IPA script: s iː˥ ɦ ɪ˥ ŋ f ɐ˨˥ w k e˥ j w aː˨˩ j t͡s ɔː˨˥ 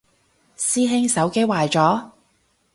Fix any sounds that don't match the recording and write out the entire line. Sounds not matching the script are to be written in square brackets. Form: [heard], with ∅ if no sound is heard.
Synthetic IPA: s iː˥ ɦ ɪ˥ ŋ [s] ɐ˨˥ w k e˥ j w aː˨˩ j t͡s ɔː˨˥